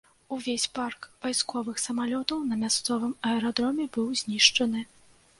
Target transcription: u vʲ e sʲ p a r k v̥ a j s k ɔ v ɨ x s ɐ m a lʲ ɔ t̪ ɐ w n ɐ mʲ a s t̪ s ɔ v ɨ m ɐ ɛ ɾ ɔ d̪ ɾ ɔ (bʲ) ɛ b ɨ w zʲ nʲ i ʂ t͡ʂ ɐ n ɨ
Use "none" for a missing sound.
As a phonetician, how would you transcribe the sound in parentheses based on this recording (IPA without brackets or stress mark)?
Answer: mʲ